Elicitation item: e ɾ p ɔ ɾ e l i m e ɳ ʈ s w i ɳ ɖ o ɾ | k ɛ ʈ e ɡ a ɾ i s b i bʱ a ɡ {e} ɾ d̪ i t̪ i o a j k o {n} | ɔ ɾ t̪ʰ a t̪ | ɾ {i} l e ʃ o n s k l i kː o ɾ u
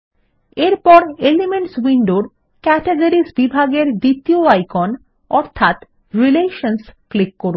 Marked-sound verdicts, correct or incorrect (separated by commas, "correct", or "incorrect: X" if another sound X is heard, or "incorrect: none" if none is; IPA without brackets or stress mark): correct, correct, correct